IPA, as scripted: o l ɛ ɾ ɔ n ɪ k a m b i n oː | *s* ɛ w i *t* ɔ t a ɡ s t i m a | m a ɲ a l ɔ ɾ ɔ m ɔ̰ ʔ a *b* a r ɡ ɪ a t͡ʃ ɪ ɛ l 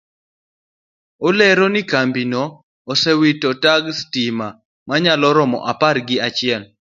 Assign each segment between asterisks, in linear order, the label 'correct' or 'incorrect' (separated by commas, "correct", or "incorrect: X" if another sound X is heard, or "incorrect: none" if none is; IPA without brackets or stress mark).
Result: correct, correct, incorrect: p